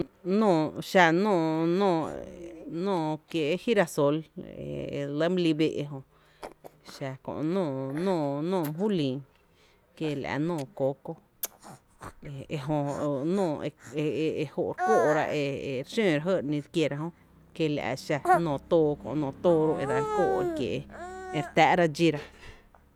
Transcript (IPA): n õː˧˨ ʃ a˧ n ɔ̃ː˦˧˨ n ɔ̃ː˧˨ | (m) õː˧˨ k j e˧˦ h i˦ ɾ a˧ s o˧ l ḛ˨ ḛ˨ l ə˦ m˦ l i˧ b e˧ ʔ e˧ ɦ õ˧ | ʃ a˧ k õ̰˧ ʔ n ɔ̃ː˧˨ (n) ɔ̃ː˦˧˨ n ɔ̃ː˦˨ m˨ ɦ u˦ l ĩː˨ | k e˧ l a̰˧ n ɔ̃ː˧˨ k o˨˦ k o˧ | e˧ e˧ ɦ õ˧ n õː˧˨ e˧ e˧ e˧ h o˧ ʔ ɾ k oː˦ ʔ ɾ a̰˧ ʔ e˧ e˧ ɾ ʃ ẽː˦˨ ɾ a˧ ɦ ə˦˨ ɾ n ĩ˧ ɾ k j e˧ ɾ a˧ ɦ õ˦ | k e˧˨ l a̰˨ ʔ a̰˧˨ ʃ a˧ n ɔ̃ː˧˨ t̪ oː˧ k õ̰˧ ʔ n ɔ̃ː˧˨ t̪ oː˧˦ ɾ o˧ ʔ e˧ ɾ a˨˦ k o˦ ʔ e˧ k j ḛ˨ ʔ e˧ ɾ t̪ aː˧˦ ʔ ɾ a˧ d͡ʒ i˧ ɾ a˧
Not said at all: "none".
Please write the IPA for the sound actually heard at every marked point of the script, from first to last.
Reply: n, n

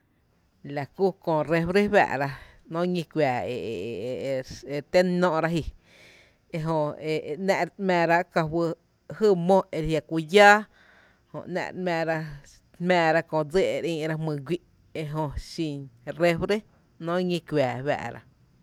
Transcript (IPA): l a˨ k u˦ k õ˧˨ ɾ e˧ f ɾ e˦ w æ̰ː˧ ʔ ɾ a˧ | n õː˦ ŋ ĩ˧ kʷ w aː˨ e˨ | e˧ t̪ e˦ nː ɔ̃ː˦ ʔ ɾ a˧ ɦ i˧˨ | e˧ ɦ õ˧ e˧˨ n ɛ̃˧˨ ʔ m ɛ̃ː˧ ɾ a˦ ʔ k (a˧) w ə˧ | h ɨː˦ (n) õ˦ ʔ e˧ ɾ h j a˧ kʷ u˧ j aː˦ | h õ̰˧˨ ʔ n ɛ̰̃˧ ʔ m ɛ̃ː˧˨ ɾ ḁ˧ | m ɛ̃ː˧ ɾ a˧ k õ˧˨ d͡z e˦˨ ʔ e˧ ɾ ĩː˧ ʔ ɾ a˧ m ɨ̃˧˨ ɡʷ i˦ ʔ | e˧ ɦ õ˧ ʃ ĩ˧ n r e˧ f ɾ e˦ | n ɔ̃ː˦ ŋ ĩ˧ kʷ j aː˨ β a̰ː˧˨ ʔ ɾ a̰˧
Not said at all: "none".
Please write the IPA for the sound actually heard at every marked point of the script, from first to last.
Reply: a˧, m

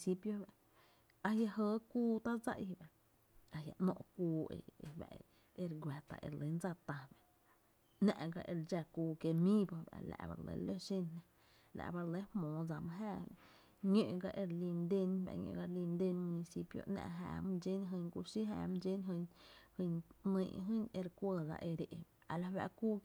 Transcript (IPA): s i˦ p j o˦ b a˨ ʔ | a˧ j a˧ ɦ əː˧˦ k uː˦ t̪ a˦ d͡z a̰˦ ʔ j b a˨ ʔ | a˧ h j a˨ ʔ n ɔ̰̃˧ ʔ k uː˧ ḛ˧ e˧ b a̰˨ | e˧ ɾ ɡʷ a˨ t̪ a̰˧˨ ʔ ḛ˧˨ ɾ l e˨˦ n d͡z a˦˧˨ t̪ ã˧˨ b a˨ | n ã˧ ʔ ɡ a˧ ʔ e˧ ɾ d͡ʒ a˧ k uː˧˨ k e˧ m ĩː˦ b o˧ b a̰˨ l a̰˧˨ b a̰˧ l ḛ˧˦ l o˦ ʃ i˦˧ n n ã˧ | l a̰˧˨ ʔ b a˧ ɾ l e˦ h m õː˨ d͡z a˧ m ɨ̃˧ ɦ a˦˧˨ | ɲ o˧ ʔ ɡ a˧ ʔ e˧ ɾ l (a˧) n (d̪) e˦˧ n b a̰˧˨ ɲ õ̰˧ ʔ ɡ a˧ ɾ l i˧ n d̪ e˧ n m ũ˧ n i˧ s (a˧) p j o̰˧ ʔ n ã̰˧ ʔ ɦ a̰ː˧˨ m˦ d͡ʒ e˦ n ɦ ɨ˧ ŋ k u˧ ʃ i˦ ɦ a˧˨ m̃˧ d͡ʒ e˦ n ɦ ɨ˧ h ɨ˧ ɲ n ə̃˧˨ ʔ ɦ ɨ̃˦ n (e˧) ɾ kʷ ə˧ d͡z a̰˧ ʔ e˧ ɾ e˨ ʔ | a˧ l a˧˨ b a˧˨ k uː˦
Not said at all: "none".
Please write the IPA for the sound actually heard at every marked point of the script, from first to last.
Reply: i˧, d̪, i˧, e˧

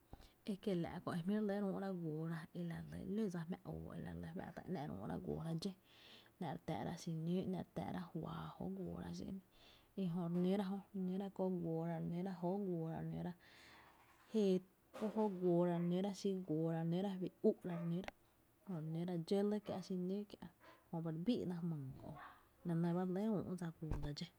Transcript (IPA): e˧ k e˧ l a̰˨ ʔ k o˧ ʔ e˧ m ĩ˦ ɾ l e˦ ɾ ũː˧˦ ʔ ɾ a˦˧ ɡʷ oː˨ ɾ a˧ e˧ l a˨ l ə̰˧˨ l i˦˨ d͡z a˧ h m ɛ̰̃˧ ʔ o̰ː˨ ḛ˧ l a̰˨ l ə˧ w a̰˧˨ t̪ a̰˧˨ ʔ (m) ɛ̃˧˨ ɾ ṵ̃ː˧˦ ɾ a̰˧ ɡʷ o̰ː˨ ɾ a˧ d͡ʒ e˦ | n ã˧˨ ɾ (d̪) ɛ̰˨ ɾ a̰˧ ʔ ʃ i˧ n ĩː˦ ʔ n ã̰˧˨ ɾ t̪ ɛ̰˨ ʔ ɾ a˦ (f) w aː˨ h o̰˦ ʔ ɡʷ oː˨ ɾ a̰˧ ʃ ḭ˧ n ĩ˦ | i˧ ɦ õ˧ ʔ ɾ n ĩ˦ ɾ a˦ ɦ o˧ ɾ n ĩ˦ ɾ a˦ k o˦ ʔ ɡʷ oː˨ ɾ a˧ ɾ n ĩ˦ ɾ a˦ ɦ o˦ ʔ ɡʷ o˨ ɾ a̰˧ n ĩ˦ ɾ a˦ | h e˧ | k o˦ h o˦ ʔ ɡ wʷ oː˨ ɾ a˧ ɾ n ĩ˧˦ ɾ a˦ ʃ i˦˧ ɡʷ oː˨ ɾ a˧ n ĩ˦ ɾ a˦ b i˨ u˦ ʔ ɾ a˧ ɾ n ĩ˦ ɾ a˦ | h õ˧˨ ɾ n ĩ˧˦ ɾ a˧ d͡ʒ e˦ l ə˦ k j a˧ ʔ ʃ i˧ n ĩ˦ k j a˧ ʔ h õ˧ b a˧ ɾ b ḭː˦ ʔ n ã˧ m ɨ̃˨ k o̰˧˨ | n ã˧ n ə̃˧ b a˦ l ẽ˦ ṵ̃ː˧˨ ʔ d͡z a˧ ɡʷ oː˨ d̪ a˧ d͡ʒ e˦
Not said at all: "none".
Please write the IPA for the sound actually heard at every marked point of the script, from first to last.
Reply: n, t̪, h

